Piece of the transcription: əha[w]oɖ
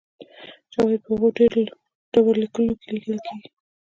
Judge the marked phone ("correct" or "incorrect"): incorrect